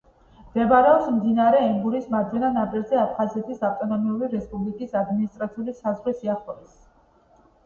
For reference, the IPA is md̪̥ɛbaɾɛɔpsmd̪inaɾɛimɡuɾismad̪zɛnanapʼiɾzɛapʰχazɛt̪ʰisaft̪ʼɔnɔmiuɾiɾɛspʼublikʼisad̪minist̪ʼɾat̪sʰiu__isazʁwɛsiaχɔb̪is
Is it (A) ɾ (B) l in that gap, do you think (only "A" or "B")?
B